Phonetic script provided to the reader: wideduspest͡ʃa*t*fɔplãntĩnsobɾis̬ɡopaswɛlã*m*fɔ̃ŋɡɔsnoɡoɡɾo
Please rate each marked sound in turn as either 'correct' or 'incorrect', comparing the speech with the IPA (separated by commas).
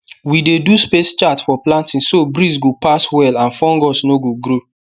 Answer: correct, incorrect